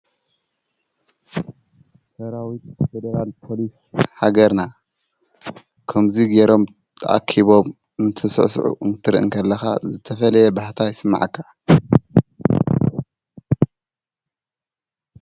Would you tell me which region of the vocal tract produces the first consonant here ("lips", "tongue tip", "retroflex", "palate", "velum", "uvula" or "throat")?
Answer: tongue tip